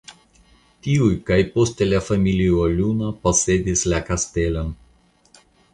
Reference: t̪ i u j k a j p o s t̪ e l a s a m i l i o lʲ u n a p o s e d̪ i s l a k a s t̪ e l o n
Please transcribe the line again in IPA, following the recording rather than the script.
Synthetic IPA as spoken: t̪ i u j k a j p o s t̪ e l a f a m i l i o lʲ u n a p o s e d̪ i s l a k a s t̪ e l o n